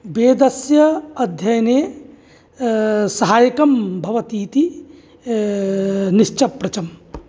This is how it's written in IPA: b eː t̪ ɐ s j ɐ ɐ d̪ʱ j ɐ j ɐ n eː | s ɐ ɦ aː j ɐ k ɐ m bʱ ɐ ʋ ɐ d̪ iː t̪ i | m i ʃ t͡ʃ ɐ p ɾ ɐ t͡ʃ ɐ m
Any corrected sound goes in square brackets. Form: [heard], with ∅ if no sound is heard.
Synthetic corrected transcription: b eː [d̪] ɐ s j ɐ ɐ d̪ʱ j ɐ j ɐ n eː | s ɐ ɦ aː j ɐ k ɐ m bʱ ɐ ʋ ɐ [t̪] iː t̪ i | [n] i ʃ t͡ʃ ɐ p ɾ ɐ t͡ʃ ɐ m